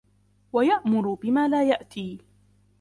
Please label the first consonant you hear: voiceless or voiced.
voiced